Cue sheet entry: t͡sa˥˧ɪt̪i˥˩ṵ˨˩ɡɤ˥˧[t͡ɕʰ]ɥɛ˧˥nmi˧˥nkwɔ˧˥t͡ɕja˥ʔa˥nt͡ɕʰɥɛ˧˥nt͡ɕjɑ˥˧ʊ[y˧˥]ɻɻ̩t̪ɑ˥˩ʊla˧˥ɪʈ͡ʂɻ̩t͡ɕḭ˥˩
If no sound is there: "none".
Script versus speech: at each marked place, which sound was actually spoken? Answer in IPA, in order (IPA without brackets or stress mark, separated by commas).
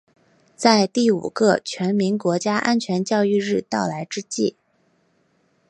t͡ɕʰ, y˥˧